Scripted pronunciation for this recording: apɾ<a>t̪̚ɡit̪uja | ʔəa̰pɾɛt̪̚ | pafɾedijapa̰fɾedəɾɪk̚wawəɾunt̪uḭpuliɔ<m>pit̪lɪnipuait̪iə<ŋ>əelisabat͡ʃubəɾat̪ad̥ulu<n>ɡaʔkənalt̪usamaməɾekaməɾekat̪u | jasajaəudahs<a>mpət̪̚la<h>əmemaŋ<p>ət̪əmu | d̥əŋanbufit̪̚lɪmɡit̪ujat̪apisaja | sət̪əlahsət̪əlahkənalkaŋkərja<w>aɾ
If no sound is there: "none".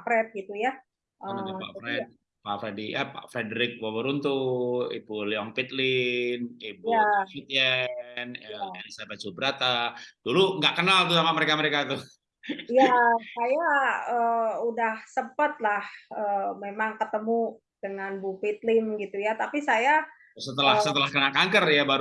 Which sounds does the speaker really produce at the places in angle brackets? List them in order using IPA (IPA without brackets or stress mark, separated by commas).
ɛ, ŋ, n, ŋ, ə, h, k, b